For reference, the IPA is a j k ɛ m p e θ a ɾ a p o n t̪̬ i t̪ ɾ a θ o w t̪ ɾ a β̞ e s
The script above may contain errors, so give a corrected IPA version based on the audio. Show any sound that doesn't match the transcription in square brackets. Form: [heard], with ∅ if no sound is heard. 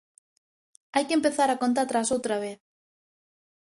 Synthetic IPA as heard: a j k [e] m p e θ a ɾ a [k] o n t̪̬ [a] t̪ ɾ a [s] o w t̪ ɾ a β̞ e [θ]